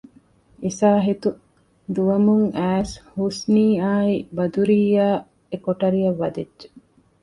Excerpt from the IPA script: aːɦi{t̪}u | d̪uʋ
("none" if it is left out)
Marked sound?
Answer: t̪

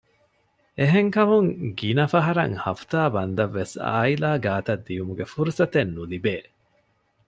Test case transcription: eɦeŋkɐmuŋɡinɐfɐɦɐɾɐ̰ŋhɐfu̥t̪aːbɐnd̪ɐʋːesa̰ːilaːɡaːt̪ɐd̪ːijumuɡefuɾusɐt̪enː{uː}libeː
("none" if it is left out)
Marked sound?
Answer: u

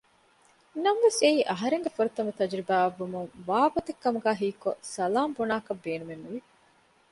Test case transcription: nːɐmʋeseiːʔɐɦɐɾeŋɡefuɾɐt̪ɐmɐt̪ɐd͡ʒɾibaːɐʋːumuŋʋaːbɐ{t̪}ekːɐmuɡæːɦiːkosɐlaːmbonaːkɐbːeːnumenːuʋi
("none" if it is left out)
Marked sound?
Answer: t̪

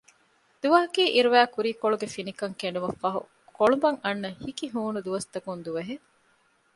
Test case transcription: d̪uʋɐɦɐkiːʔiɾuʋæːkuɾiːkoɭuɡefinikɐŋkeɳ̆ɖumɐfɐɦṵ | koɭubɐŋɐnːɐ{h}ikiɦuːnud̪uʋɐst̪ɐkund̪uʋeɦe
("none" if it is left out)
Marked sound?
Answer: h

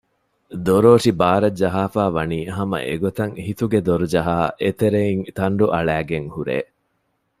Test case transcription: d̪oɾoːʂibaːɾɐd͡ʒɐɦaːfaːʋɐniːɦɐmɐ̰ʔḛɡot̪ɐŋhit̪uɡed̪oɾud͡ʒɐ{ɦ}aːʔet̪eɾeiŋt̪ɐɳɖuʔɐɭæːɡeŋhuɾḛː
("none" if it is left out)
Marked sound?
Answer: ɦ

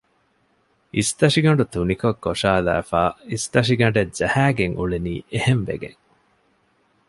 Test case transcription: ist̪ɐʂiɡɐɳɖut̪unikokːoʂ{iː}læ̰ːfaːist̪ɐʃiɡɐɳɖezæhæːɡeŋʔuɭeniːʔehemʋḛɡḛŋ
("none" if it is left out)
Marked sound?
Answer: aː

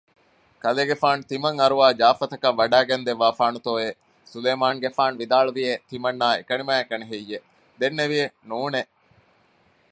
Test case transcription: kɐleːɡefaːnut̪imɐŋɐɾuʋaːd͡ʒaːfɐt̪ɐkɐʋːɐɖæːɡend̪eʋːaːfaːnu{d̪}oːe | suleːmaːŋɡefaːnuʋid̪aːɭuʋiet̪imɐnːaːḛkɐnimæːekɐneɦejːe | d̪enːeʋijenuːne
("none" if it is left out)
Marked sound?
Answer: t̪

